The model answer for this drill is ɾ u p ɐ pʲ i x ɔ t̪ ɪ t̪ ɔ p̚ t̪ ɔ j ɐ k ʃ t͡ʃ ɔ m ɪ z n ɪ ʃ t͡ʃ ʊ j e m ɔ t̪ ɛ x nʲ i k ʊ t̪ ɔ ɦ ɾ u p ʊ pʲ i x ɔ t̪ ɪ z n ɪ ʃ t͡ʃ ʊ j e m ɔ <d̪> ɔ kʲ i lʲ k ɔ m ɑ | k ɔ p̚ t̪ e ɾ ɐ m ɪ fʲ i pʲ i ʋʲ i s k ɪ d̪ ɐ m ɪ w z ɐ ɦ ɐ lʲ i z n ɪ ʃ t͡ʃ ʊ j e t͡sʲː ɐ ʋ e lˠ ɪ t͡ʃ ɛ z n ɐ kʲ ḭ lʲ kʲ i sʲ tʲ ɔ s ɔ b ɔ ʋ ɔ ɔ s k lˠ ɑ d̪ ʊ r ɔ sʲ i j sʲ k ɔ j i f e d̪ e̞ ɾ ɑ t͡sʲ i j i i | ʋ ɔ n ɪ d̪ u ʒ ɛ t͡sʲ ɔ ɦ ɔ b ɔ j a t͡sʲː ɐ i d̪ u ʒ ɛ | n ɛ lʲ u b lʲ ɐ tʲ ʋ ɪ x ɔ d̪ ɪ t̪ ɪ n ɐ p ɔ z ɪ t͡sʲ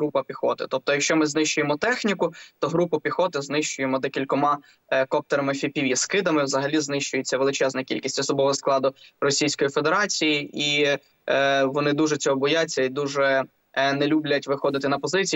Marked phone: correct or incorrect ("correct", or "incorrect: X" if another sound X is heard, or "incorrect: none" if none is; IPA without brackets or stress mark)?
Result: correct